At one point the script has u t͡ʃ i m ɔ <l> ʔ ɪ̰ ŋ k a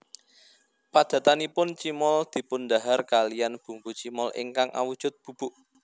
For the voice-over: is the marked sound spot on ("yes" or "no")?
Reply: yes